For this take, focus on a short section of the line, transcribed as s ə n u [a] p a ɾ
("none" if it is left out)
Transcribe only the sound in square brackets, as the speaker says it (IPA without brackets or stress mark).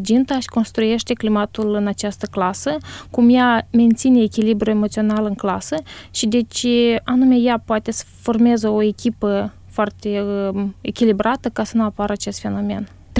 a